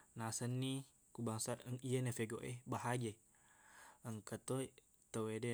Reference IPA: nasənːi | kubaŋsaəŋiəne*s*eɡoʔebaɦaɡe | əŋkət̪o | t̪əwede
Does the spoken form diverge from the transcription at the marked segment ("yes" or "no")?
yes